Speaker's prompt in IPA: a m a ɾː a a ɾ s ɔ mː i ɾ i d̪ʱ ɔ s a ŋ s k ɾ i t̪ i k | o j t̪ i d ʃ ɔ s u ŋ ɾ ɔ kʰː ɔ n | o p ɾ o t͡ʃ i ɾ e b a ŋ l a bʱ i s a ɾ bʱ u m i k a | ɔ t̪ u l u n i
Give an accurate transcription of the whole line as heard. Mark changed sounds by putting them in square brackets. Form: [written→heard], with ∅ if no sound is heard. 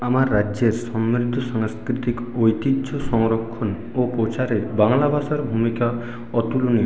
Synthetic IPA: a m a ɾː a [a→e] ɾ s ɔ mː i ɾ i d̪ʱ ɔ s a ŋ s k ɾ i t̪ i k | o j t̪ i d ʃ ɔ s [u→ɔ] ŋ ɾ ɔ kʰː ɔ n | o p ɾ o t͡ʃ [i→a] ɾ e b a ŋ l a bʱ [i→a] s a ɾ bʱ u m i k a | ɔ t̪ u l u n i

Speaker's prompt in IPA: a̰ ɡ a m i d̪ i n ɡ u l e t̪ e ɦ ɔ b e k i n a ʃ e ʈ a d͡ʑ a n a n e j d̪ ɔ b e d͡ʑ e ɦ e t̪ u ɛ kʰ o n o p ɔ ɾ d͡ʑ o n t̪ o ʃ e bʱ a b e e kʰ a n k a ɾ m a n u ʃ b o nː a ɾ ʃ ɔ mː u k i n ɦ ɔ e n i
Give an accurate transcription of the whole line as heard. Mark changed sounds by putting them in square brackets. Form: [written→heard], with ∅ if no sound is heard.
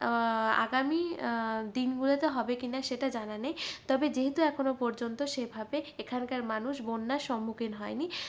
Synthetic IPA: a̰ ɡ a m i d̪ i n ɡ u l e t̪ e ɦ ɔ b e k i n a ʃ e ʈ a d͡ʑ a n a n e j [d̪→t̪] ɔ b e d͡ʑ e ɦ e t̪ u ɛ kʰ o n o p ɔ ɾ d͡ʑ o n t̪ o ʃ e bʱ a b e e kʰ a n k a ɾ m a n u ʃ b o nː a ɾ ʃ ɔ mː u k i n ɦ ɔ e n i

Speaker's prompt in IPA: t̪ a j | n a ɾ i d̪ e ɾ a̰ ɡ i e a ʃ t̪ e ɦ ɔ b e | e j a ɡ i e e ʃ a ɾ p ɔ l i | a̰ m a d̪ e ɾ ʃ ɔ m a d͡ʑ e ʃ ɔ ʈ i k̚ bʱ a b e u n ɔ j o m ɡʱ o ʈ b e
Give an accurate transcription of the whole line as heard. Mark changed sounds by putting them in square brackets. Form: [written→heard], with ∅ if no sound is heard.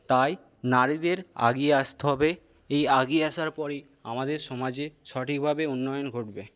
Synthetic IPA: t̪ a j | n a ɾ i d̪ e ɾ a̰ ɡ i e a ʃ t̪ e ɦ ɔ b e | e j a ɡ i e [e→a] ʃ a ɾ p ɔ [l→ɾ] i | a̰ m a d̪ e ɾ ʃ ɔ m a d͡ʑ e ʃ ɔ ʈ i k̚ bʱ a b e u [n→nː] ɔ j o [m→n] ɡʱ o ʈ b e

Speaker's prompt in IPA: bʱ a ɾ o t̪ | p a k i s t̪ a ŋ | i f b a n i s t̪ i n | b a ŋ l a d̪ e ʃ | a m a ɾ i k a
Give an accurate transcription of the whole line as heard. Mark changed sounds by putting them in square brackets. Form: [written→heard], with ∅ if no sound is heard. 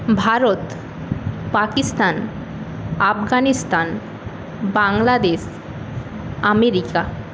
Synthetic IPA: bʱ a ɾ o t̪ | p a k i s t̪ a [ŋ→n] | [i→a] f [b→ɡ] a n i s t̪ [i→a] n | b a ŋ l a d̪ e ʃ | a m [a→e] ɾ i k a

